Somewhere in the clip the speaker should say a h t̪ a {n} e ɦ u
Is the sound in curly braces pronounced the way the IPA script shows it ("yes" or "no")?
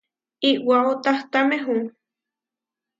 no